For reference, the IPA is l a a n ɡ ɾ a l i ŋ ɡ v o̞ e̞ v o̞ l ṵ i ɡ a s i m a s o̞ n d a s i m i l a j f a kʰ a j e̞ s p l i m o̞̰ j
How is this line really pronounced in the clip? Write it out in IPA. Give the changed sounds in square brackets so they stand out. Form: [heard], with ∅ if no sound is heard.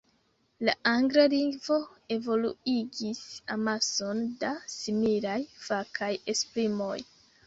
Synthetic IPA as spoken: l a a [ŋ] ɡ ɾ a l i ŋ ɡ v o̞ e̞ v o̞ l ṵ i ɡ [i] s [a] m a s o̞ n d a s i m i l a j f a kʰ a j e̞ s p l i m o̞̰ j